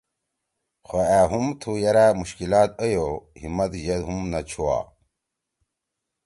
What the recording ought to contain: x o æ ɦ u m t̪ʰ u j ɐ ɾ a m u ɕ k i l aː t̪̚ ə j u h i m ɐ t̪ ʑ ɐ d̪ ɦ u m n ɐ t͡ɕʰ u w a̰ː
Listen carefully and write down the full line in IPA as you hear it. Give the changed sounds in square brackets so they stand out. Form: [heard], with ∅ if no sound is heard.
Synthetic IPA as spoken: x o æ ɦ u m t̪ʰ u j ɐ ɾ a m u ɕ k i l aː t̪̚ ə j [o] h i m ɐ t̪ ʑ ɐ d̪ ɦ u m n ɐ t͡ɕʰ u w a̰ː